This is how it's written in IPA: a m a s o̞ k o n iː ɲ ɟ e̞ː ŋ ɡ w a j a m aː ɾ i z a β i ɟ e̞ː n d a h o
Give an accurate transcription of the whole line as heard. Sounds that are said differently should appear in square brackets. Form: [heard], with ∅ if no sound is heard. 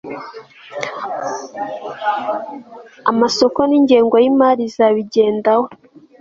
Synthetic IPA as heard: a m a s o̞ k o n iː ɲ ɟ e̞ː ŋ ɡ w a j [i] m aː ɾ i z a β i ɟ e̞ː n d a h o